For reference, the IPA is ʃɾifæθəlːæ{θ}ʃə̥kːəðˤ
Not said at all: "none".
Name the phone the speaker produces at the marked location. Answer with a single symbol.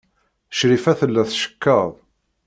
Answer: θ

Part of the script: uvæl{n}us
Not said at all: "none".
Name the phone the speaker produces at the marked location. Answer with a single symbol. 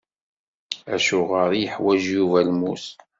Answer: m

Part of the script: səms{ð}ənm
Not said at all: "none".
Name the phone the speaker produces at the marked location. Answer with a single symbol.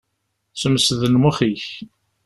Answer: ð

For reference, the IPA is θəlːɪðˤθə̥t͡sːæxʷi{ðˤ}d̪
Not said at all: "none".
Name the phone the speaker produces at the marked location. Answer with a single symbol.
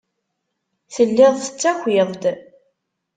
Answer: ðˤ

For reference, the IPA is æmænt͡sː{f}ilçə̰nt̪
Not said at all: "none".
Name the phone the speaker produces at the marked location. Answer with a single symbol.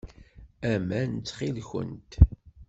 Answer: χ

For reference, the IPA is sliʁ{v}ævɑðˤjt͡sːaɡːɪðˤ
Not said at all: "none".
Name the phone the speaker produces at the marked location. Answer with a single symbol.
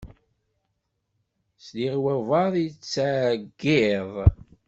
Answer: w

